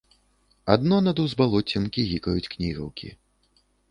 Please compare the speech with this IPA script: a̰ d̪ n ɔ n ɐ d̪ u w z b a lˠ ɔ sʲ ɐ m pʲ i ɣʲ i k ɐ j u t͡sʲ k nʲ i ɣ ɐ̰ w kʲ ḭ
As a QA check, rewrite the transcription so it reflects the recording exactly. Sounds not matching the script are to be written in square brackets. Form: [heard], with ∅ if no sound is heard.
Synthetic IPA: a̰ d̪ n ɔ n ɐ d̪ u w z b a lˠ ɔ [t͡sʲ] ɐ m [kʲ] i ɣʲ i k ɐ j u t͡sʲ k nʲ i ɣ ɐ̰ w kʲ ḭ